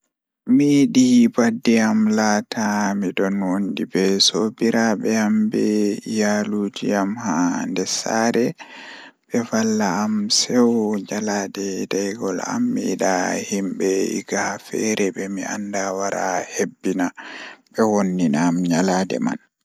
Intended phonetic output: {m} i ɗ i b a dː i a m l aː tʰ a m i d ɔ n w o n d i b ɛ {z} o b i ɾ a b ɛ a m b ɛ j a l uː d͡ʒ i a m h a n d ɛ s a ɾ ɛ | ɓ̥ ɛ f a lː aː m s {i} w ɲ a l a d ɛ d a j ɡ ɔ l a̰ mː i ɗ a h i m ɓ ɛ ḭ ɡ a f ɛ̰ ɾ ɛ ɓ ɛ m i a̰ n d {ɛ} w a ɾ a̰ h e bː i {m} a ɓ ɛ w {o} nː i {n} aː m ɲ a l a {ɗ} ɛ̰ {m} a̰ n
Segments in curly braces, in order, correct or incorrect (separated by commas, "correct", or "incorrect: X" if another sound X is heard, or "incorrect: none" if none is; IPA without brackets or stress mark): correct, incorrect: s, incorrect: ɛ, incorrect: a, incorrect: n, correct, correct, incorrect: d, correct